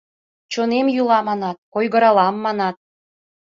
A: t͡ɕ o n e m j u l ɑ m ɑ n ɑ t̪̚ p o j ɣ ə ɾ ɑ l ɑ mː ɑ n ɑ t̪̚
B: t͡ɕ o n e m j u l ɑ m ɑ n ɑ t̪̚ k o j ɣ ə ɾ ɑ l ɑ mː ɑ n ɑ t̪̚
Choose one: B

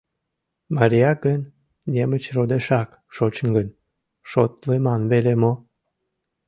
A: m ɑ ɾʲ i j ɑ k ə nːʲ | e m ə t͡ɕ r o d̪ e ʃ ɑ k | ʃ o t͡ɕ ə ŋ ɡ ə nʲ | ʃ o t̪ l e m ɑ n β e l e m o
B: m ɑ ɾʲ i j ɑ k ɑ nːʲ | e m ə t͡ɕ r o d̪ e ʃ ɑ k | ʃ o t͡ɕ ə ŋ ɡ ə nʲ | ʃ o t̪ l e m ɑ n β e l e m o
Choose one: A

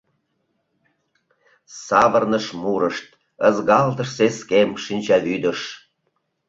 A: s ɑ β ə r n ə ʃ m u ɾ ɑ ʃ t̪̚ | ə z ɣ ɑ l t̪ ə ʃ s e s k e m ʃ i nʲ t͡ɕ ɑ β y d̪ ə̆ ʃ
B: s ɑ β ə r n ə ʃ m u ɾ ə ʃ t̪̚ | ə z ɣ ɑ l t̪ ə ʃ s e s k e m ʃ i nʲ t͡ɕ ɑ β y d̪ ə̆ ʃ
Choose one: B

